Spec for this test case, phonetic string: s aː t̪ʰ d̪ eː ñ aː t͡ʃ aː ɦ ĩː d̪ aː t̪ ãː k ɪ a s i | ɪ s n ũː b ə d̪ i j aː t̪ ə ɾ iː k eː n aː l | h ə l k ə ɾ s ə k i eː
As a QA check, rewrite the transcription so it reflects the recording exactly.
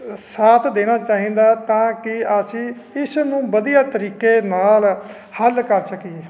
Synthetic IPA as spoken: s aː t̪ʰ d̪ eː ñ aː t͡ʃ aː ɦ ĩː d̪ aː t̪ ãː k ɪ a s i | ɪ s n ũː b ə d̪ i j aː t̪ ə ɾ iː k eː n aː l | h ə l k ə ɾ s ə k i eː